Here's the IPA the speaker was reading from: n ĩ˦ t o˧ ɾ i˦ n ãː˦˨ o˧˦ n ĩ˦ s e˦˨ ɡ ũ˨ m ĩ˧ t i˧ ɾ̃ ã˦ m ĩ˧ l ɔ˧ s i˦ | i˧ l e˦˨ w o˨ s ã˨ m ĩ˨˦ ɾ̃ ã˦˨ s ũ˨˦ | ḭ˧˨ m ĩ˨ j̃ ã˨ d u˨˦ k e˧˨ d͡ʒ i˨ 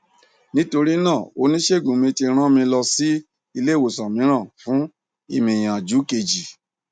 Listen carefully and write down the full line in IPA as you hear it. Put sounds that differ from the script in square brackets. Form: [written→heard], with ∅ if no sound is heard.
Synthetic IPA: n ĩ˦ t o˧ ɾ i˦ n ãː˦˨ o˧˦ n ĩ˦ [s→ʃ] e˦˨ ɡ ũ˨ m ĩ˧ t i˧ ɾ̃ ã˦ m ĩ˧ l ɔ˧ s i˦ | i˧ l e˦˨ w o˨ s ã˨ m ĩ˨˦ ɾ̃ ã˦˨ [s→f] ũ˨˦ | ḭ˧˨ m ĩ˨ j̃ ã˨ [d→d͡ʒ] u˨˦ k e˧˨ d͡ʒ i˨